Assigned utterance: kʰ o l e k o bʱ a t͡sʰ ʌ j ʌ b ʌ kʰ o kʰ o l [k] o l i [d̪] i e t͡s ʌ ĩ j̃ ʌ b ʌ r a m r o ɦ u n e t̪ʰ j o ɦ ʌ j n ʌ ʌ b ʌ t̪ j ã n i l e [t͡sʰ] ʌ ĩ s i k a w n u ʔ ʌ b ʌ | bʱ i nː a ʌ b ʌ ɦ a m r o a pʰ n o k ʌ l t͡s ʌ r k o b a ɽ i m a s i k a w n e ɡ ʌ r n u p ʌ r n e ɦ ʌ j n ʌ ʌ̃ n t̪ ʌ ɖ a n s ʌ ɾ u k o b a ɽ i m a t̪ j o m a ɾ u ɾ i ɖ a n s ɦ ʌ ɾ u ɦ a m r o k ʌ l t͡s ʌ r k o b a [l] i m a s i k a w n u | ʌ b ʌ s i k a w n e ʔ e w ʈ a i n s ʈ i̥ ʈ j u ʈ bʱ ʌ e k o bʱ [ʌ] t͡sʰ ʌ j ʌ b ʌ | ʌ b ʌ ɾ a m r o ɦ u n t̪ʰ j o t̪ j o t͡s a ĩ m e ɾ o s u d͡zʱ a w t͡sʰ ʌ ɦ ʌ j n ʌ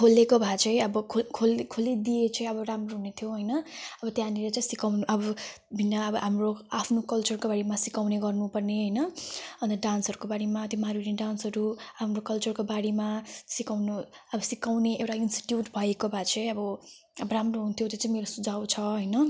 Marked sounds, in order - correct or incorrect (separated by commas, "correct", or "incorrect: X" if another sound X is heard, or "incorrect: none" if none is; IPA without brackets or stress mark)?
incorrect: kʰ, correct, incorrect: t͡s, incorrect: ɽ, incorrect: a